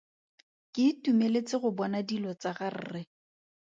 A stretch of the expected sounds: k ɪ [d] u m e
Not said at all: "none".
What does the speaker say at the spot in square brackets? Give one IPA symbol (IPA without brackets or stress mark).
t